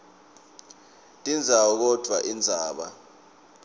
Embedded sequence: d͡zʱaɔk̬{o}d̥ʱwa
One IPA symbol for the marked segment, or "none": ɔ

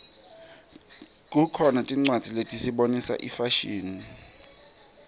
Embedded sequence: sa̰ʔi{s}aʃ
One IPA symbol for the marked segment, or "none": f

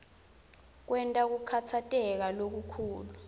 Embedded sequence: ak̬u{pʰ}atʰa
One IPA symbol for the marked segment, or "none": kʰ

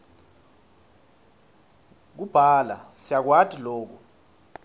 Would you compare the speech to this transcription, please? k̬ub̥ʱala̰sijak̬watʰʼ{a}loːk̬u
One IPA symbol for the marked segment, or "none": i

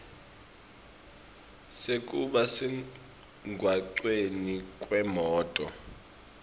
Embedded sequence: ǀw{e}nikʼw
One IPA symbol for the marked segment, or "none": e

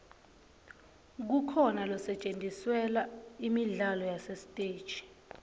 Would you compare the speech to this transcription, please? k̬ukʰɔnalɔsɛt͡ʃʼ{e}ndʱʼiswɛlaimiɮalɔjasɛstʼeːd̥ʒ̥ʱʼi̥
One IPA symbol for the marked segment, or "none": e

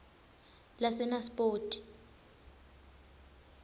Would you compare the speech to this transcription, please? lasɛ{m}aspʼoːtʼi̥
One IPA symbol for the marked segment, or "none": n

